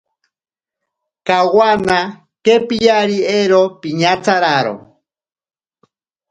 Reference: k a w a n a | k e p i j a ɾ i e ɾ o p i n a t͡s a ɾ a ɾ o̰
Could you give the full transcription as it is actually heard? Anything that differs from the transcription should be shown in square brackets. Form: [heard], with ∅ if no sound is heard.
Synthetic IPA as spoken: k a w a n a | k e p i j a ɾ i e ɾ o p i [ɲ] a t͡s a ɾ a ɾ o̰